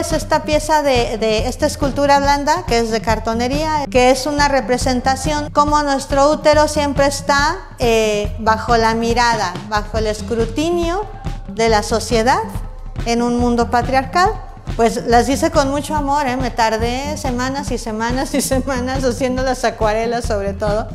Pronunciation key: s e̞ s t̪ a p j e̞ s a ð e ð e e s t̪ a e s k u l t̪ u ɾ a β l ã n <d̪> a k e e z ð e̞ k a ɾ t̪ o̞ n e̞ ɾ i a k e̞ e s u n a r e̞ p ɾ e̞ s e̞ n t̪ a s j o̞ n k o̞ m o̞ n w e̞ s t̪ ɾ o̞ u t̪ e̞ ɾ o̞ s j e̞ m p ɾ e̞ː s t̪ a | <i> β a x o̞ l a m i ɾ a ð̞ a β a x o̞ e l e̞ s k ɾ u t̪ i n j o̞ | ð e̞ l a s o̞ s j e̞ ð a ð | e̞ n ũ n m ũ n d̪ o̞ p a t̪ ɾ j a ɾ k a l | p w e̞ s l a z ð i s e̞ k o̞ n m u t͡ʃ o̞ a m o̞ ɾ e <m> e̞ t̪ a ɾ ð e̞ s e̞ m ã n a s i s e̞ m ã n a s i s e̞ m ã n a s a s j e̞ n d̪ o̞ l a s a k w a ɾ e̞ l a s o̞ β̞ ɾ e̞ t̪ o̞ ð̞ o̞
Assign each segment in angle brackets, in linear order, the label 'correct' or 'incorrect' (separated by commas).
correct, incorrect, correct